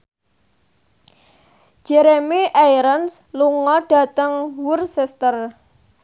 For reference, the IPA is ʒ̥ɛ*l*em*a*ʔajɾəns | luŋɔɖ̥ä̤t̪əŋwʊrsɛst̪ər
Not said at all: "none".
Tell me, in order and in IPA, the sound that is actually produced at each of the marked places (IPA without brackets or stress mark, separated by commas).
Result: ɾ, i